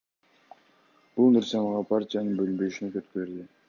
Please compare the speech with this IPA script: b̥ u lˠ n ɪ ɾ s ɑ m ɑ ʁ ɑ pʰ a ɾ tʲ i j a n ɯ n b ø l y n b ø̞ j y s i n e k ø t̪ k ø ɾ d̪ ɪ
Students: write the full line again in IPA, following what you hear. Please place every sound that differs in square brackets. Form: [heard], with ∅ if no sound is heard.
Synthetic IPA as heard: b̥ u lˠ n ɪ ɾ s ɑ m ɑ ʁ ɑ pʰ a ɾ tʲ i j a n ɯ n b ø l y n b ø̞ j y [ʃ] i n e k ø t̪ k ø ɾ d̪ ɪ